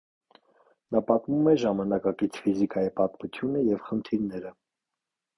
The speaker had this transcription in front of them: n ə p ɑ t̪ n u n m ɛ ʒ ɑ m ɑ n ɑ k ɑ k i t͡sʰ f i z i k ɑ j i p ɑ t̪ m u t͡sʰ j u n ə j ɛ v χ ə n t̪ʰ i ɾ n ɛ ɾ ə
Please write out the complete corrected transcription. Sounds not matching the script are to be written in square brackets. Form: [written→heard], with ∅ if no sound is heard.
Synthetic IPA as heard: n [ə→ɑ] p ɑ t̪ [n→m] u [n→∅] m ɛ ʒ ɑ m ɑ n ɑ k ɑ k i t͡sʰ f i z i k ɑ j i p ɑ t̪ m u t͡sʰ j u n ə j ɛ v χ ə n t̪ʰ i ɾ n ɛ ɾ ə